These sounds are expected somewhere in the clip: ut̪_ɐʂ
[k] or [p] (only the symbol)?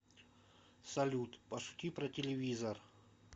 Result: p